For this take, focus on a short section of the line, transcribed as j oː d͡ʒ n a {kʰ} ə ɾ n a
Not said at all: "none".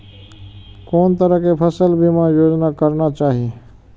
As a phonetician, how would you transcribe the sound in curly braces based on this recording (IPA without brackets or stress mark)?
k